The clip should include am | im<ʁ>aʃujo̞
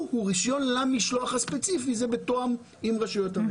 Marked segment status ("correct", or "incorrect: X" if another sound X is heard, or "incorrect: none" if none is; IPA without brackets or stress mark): correct